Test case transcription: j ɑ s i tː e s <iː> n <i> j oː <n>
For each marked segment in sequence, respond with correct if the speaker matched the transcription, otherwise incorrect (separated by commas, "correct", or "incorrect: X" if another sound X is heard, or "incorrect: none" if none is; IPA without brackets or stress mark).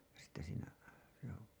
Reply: correct, incorrect: æ, incorrect: none